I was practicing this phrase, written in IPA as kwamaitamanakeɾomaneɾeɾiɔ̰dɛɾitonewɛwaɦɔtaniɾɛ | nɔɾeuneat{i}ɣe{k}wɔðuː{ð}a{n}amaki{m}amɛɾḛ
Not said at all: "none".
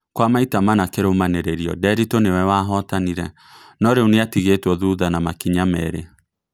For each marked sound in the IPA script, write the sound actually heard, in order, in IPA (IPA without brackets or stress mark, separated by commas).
i, t, ð, n, ɲ